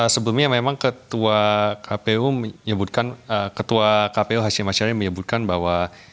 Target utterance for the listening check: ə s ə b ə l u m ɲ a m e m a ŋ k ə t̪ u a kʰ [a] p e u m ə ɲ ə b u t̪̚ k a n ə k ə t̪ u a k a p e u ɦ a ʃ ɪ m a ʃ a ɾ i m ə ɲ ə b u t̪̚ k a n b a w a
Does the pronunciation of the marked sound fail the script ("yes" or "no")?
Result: no